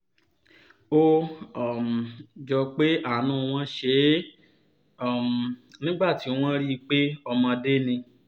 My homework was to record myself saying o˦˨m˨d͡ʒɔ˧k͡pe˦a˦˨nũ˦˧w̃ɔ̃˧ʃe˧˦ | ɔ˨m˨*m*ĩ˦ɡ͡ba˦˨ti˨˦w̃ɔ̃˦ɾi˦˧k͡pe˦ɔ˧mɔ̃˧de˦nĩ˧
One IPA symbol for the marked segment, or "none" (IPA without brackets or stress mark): n